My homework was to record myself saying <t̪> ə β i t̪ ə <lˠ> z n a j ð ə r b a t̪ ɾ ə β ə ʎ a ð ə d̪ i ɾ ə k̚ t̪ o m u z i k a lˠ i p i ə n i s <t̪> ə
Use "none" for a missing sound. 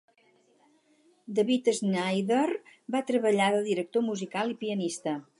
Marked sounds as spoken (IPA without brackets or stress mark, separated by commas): d̪, none, t̪